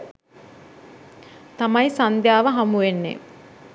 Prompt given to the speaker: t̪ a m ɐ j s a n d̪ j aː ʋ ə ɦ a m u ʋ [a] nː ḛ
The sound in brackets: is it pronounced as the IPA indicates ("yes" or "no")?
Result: no